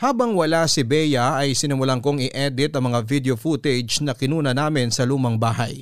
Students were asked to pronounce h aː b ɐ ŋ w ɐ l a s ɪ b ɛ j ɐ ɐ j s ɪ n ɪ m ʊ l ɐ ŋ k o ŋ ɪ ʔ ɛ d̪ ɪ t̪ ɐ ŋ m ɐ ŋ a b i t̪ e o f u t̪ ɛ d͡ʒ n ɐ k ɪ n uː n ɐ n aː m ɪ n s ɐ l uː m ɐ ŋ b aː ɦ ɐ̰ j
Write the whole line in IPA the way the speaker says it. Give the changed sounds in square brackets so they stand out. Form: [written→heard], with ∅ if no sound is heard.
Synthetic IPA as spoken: h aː b ɐ ŋ w ɐ l a s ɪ b ɛ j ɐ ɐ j s ɪ n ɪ m ʊ l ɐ ŋ k o ŋ ɪ ʔ ɛ d̪ ɪ t̪ ɐ ŋ m ɐ ŋ a [b→v] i [t̪→d̪] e o f u t̪ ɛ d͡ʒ n ɐ k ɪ n uː n ɐ n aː m ɪ n s ɐ l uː m ɐ ŋ b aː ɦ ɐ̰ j